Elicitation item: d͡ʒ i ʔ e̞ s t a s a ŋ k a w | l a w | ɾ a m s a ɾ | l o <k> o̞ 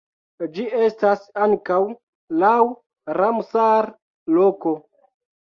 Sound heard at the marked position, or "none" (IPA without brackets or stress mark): k